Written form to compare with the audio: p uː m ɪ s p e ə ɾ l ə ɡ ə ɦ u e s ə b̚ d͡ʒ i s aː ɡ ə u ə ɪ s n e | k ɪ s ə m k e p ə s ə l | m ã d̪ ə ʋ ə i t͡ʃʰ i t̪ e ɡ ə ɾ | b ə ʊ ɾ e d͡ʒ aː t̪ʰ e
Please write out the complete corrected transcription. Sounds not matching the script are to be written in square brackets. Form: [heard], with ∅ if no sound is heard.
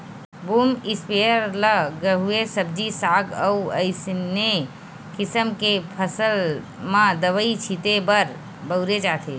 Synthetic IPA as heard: [b] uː m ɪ s p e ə ɾ l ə ɡ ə ɦ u e s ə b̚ d͡ʒ i s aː ɡ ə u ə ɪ s n e | k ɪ s ə m k e [pʰ] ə s ə l | m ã d̪ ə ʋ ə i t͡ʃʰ i t̪ e [b] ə ɾ | b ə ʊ ɾ e d͡ʒ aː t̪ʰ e